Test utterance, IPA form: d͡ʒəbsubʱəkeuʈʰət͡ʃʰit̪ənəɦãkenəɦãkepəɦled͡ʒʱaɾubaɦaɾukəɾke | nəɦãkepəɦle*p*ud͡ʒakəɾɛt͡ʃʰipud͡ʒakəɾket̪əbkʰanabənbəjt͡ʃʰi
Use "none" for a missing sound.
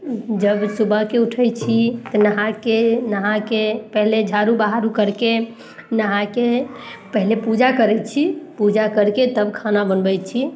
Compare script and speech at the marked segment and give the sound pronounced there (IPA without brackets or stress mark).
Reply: p